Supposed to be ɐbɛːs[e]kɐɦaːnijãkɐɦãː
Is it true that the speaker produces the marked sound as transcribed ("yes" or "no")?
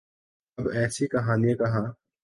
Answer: no